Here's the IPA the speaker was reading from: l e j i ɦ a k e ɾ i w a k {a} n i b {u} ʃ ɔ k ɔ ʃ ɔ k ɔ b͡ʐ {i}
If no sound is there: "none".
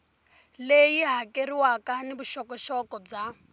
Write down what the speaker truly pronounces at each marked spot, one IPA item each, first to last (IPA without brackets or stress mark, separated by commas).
a, u, a